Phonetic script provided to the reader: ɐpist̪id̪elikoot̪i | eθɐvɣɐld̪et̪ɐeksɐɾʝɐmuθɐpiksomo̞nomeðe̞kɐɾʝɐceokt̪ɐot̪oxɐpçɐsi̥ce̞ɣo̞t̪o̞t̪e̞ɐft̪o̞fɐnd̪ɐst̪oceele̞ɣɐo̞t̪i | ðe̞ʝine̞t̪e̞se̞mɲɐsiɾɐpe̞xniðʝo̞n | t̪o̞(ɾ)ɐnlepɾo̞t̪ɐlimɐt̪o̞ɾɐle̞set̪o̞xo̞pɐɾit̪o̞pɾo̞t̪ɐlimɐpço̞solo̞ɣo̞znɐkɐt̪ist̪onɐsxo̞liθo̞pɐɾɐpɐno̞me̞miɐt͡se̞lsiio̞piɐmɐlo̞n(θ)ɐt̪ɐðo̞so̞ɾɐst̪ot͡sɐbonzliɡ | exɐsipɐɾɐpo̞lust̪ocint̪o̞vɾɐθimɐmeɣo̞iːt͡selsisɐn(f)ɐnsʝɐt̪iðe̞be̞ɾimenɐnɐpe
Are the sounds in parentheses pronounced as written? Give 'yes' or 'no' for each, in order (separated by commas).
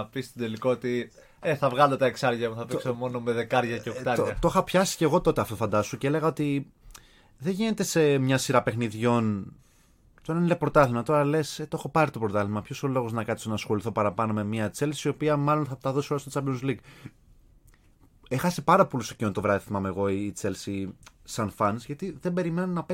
yes, yes, yes